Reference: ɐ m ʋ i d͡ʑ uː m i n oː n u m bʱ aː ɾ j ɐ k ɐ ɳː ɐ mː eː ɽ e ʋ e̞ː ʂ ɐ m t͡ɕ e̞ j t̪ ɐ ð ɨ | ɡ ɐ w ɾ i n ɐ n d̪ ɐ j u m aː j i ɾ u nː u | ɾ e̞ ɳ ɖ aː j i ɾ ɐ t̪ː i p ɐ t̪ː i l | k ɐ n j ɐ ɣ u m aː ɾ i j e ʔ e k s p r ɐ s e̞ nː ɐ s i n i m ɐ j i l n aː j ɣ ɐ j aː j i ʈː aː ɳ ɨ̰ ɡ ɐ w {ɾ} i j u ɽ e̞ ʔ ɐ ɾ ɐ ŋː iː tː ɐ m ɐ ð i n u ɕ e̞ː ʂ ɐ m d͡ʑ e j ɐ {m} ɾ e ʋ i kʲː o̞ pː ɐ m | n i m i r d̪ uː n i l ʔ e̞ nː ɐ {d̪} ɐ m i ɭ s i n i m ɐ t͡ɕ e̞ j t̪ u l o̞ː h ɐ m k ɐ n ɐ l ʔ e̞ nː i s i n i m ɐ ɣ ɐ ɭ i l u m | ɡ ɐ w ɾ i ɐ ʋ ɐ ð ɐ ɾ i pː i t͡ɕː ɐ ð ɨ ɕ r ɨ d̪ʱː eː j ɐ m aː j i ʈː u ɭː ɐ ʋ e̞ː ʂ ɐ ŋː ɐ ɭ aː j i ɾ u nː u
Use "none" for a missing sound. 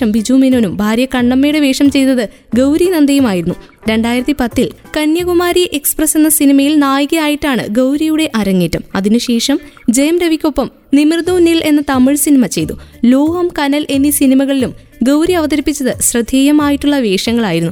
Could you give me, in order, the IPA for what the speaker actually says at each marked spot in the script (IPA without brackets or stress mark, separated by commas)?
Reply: ɾ, m, t̪